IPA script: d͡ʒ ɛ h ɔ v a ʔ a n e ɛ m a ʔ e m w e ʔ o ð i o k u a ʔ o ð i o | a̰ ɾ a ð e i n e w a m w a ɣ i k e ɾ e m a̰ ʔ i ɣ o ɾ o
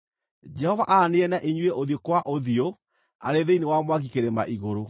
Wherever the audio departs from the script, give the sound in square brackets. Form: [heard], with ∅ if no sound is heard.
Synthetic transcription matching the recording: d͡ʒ ɛ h ɔ v a ʔ a n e ɛ [n] a ʔ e [ɲ] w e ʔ o ð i o k [w] a ʔ o ð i o | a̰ ɾ [e] ð e i n e w a m w a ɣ i k e ɾ e m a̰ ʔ i ɣ o ɾ o